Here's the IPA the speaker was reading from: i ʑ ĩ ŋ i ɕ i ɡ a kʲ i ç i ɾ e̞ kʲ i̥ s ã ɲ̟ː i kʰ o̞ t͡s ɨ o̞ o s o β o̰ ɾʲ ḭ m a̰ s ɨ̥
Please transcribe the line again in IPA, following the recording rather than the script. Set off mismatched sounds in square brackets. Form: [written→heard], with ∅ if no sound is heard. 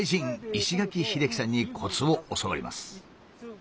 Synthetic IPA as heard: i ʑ ĩ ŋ i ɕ i ɡ a kʲ i ç i ɾ e̞ kʲ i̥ s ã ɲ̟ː i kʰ o̞ t͡s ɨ o̞ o s o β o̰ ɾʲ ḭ m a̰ s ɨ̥